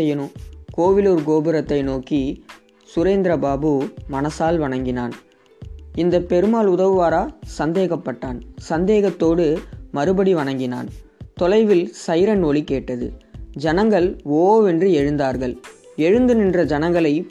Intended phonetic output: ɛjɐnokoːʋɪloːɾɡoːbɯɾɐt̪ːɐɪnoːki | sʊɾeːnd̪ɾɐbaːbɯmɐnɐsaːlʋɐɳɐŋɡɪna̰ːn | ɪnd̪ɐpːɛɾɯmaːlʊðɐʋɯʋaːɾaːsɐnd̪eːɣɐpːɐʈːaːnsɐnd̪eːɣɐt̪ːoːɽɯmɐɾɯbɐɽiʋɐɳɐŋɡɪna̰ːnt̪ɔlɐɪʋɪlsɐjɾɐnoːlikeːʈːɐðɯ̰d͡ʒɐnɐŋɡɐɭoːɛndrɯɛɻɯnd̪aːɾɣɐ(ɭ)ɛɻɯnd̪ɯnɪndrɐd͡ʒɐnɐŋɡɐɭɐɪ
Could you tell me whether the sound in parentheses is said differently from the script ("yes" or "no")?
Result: no